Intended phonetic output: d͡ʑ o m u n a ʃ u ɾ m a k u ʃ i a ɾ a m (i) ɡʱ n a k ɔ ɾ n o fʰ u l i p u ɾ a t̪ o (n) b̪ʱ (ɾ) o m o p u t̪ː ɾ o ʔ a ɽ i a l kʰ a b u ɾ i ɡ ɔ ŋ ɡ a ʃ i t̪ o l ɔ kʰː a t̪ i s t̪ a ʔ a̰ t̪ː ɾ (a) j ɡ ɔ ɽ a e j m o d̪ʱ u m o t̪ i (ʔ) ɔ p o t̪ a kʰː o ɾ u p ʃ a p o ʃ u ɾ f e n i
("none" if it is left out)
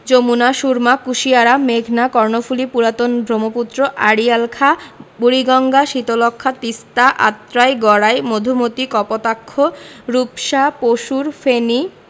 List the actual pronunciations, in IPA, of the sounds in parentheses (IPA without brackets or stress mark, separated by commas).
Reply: e, n, ɾ, a, k